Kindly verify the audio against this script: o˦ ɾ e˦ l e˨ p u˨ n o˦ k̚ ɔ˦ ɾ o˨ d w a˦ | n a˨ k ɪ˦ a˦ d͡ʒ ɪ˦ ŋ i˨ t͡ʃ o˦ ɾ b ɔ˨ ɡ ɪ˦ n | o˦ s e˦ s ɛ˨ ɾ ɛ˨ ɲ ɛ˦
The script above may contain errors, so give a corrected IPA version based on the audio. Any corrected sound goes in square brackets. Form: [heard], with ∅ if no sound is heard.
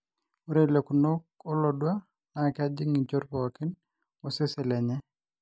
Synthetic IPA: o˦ ɾ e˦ l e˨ [k] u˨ n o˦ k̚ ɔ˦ [l] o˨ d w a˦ | n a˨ k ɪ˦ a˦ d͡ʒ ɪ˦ ŋ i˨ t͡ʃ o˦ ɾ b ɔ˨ [k] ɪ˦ n | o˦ s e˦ s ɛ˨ [l] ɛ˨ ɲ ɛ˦